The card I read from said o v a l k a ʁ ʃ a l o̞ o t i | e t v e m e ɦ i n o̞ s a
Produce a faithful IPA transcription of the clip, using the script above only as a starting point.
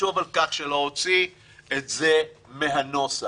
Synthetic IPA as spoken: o v a l k a χ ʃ e l o̞ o t͡s i | e t z e m e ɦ a n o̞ s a